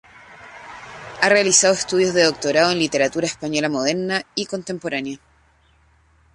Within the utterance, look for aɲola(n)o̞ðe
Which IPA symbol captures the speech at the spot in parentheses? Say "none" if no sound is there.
m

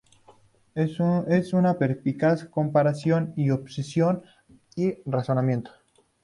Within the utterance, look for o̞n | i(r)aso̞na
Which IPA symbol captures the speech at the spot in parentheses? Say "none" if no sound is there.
r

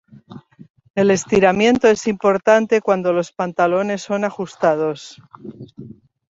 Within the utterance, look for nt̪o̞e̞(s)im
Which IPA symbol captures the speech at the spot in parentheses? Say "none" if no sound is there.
s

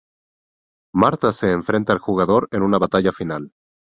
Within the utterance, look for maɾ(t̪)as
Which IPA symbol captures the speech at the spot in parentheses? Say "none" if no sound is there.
t̪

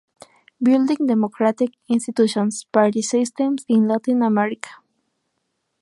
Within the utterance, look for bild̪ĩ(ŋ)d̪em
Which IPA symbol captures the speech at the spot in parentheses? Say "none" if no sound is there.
ŋ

